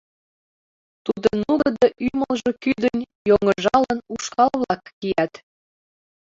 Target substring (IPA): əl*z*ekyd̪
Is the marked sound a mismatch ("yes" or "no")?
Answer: yes